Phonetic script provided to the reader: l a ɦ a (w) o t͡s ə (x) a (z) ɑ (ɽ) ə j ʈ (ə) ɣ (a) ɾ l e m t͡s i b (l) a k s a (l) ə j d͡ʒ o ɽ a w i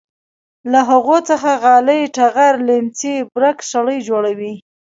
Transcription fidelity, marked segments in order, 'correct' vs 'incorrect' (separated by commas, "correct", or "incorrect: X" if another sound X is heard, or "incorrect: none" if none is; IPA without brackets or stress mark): incorrect: ɣ, correct, incorrect: ɣ, incorrect: l, incorrect: a, correct, incorrect: ɾ, incorrect: ɽ